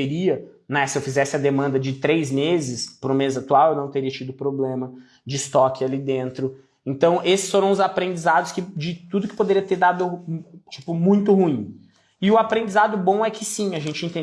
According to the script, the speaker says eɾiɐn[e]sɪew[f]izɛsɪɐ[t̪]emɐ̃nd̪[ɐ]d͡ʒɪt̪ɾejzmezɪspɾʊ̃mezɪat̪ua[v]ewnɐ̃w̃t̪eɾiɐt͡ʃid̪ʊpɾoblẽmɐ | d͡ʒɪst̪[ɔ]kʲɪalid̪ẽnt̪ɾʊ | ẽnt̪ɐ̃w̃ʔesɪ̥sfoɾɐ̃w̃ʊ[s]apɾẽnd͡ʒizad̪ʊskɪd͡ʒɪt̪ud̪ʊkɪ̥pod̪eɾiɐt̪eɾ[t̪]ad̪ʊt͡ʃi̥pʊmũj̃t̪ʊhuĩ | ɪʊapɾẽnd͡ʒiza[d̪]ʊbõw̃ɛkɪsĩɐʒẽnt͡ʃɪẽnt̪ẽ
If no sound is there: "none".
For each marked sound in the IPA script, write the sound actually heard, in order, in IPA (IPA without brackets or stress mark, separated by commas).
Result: ɛ, f, d̪, ɐ, w, ɔ, z, d̪, d̪